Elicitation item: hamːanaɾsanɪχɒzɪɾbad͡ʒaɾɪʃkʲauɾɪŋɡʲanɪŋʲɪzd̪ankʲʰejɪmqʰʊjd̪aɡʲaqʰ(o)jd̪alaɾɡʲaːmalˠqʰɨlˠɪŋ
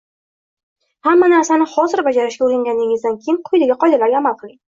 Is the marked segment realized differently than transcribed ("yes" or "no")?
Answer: yes